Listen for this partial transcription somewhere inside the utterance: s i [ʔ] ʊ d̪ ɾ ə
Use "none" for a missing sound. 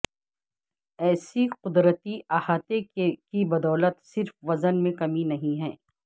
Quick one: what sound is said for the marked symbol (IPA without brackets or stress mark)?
q